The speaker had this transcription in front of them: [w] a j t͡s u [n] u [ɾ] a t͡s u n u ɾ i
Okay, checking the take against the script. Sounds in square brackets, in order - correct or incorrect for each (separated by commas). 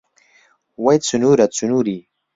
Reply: correct, correct, correct